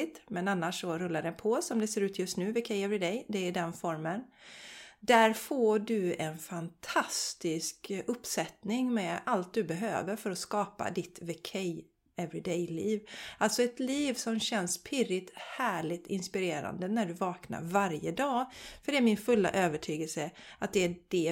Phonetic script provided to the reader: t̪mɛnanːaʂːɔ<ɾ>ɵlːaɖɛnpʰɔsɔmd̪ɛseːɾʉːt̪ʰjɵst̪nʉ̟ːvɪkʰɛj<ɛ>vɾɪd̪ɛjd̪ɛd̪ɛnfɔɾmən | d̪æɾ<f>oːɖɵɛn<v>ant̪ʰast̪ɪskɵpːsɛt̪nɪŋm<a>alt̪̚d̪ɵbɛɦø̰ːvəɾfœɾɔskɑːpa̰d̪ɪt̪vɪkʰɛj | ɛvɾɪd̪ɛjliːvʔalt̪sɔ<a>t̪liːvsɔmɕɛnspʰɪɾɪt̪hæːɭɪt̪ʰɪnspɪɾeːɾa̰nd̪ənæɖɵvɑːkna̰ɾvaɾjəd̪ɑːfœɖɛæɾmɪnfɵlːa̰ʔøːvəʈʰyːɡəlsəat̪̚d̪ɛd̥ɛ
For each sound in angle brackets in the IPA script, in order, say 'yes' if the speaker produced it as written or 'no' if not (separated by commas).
yes, yes, yes, no, no, no